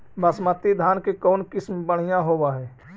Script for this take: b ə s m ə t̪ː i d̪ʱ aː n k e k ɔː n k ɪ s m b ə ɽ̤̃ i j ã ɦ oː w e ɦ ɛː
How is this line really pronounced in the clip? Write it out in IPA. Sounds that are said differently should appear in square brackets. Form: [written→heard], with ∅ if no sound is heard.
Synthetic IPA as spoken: b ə s m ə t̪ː i d̪ʱ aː n k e k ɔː n k ɪ s m b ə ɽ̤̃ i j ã ɦ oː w [e→a] ɦ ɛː